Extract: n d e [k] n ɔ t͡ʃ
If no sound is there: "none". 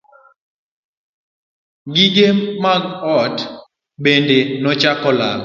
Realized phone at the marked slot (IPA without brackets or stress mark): none